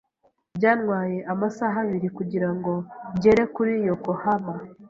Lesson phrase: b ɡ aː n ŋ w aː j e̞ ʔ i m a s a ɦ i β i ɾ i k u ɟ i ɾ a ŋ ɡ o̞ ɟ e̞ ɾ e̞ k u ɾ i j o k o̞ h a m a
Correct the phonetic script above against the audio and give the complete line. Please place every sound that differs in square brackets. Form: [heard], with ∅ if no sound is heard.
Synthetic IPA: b [ɟ] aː n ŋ w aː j e̞ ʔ [a] m a s a ɦ [a] β i ɾ i k u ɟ i ɾ a ŋ ɡ o̞ ɟ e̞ ɾ e̞ k u ɾ i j o k o̞ h a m a